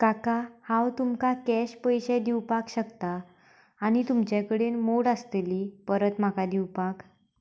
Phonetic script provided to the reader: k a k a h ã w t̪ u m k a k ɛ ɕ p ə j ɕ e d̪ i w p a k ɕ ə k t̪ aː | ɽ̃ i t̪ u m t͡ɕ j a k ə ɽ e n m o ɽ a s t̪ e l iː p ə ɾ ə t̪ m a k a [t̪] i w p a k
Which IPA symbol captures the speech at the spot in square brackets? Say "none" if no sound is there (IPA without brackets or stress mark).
d̪